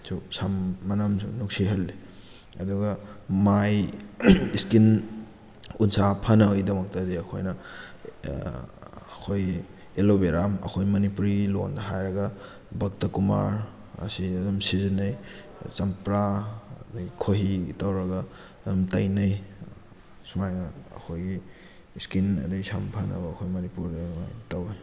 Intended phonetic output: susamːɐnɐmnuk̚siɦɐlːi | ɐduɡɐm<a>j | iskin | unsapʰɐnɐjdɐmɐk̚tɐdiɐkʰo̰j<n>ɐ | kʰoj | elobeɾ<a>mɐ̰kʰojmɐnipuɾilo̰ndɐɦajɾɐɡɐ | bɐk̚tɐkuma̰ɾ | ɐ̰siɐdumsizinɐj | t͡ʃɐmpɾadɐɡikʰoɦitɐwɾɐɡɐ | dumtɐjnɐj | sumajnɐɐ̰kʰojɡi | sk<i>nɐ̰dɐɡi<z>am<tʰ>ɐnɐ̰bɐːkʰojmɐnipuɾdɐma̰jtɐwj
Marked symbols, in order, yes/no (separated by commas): yes, yes, yes, yes, no, no